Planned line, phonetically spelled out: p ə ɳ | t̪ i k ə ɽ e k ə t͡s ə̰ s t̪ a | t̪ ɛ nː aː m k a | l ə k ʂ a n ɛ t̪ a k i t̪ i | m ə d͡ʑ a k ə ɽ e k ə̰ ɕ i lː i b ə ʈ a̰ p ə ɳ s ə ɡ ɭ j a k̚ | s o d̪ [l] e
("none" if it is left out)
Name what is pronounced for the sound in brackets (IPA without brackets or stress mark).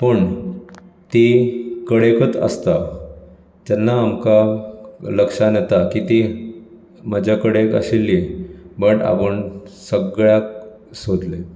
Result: l